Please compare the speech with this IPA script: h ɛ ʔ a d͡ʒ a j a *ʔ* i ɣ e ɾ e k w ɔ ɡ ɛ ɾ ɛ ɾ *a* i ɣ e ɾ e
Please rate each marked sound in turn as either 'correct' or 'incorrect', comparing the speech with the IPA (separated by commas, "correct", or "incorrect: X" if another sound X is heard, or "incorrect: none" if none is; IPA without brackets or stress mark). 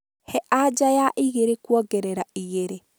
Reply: correct, correct